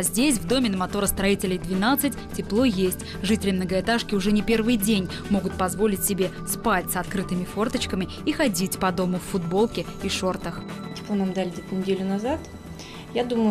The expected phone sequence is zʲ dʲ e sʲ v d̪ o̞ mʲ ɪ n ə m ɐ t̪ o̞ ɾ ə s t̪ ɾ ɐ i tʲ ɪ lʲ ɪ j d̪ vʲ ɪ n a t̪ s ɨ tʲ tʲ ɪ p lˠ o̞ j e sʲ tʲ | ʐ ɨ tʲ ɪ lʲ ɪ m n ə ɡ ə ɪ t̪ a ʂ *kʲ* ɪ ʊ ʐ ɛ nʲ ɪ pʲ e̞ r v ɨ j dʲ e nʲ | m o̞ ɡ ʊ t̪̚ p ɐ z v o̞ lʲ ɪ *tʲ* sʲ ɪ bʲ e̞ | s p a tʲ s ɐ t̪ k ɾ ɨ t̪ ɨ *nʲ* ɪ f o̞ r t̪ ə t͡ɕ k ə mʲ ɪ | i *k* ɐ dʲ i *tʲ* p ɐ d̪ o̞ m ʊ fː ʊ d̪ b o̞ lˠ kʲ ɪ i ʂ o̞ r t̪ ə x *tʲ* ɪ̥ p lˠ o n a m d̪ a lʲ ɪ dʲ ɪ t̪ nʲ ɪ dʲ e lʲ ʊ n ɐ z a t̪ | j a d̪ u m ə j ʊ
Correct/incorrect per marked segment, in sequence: correct, correct, incorrect, incorrect, correct, correct

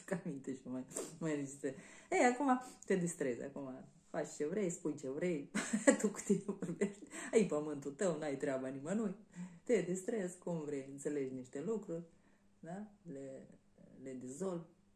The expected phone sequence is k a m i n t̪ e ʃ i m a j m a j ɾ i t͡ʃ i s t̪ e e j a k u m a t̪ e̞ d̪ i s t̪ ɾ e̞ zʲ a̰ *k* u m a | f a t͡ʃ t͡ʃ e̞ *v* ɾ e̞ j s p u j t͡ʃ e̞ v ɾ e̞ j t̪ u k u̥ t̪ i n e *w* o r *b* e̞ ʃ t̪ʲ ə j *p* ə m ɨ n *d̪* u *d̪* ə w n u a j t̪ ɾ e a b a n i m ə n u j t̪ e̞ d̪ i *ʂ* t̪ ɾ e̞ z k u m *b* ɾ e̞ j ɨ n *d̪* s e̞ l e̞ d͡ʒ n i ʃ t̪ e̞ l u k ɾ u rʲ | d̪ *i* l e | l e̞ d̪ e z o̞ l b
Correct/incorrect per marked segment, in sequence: correct, correct, incorrect, correct, correct, incorrect, incorrect, incorrect, incorrect, incorrect, incorrect

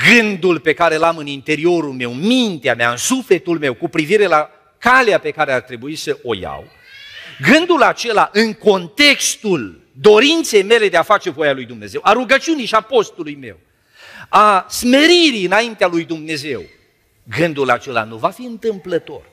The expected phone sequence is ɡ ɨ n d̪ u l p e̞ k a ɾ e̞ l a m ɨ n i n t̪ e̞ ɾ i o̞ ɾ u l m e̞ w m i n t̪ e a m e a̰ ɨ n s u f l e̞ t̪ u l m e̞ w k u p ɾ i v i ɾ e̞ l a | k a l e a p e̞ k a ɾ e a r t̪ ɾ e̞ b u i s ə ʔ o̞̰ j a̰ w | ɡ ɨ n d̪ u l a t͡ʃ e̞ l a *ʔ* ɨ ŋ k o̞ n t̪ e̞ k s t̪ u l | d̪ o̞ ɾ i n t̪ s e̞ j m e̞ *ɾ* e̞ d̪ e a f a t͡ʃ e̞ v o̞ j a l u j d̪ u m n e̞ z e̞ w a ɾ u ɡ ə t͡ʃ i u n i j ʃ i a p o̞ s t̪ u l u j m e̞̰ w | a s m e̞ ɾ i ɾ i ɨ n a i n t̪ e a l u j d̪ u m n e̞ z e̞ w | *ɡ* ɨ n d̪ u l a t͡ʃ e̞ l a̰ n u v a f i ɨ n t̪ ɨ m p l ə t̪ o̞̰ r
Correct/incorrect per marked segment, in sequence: correct, incorrect, correct

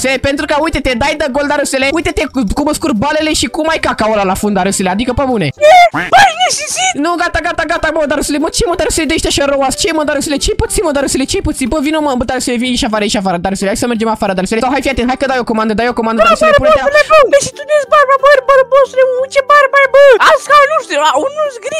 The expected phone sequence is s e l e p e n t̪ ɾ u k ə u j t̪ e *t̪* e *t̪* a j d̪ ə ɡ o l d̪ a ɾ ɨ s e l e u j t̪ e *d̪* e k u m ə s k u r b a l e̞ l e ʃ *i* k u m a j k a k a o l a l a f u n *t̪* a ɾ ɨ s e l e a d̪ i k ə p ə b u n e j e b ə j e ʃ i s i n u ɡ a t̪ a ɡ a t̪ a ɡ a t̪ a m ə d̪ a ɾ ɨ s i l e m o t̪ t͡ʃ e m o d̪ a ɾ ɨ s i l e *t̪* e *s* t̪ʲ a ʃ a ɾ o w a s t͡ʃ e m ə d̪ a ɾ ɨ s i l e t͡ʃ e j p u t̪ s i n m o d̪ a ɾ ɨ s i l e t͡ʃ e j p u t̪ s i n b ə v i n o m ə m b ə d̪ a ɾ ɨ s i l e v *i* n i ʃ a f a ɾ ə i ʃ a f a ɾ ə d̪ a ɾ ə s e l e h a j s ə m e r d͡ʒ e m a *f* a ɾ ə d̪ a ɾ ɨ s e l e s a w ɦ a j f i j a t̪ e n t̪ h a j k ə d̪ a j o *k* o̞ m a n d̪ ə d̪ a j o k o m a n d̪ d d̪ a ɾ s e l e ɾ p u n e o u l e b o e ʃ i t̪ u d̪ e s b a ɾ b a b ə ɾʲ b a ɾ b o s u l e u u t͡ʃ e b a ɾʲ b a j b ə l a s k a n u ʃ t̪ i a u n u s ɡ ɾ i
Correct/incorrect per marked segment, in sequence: correct, incorrect, incorrect, correct, incorrect, incorrect, incorrect, correct, correct, correct

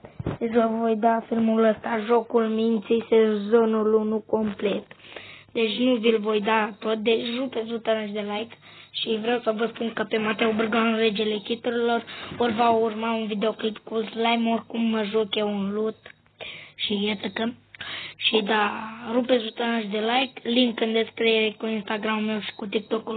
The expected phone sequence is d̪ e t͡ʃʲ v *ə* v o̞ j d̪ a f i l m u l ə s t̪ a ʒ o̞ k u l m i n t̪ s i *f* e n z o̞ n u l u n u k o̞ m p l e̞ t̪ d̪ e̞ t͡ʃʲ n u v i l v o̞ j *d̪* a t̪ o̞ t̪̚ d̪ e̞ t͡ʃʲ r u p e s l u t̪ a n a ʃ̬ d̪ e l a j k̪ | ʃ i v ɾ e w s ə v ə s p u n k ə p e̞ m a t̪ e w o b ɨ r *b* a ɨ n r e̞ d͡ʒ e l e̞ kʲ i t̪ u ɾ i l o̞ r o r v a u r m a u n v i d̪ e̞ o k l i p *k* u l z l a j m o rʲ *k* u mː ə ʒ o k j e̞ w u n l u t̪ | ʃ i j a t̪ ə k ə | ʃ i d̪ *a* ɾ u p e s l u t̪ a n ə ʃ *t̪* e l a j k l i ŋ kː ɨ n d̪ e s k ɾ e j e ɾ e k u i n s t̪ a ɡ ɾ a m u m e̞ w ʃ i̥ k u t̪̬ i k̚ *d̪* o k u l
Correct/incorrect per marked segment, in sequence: correct, incorrect, correct, incorrect, correct, correct, correct, incorrect, incorrect

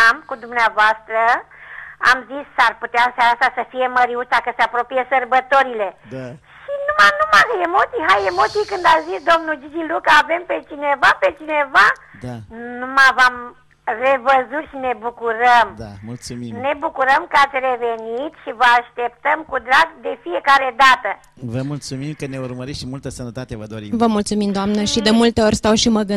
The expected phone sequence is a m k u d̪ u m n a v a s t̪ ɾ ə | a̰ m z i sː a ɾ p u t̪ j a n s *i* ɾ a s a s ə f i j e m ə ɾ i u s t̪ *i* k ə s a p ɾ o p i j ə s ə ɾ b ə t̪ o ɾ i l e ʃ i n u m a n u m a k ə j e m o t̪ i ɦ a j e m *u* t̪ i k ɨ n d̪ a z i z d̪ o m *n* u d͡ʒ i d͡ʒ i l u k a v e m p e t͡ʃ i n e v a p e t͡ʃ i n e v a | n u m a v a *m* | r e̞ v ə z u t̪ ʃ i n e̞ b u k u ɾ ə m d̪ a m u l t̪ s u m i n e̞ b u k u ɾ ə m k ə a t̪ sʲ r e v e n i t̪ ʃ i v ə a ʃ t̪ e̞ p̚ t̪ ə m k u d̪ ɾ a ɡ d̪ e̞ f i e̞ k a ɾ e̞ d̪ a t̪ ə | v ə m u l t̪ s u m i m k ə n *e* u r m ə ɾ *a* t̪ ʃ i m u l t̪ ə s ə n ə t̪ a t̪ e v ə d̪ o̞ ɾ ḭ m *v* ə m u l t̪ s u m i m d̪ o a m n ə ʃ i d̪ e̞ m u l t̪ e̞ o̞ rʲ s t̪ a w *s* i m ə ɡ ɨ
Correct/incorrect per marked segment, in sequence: incorrect, incorrect, incorrect, correct, correct, correct, incorrect, correct, incorrect

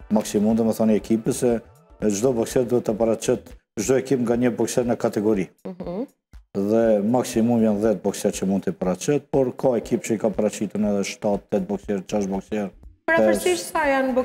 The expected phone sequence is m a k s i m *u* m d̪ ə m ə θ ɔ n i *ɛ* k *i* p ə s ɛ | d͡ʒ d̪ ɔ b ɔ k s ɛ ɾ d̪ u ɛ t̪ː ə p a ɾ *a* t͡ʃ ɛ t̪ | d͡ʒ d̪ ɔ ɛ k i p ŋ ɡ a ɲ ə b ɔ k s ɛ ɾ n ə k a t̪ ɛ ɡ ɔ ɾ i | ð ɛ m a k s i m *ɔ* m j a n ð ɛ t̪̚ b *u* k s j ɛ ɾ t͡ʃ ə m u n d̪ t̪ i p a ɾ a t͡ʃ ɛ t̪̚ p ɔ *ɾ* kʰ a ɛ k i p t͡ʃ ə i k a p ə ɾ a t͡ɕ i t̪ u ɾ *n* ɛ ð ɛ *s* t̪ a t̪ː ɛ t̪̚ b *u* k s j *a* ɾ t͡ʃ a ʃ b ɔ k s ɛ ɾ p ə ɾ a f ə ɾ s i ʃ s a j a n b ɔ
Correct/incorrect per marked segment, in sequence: correct, correct, correct, correct, incorrect, incorrect, correct, correct, incorrect, incorrect, incorrect

